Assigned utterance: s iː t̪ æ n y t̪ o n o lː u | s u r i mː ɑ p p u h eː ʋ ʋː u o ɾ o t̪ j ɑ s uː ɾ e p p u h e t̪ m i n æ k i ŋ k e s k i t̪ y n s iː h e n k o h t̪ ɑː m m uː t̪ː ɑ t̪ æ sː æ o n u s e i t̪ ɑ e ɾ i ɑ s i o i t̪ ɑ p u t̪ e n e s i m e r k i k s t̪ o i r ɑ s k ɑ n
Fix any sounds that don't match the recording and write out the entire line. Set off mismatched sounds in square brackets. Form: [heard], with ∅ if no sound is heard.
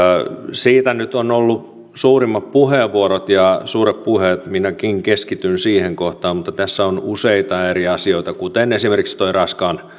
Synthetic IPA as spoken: s iː t̪ æ n y t̪ o n o lː u | s [uː] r i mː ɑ p p u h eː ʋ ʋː u o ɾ o t̪ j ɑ s uː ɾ e p p u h e t̪ m i n æ k i ŋ k e s k i t̪ y n s iː h e [ŋ] k o h t̪ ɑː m m [u] t̪ː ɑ t̪ æ sː æ o n u s e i t̪ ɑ e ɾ i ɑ s i o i t̪ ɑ [k] u t̪ e n e s i m e r k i k s t̪ o i r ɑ s k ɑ n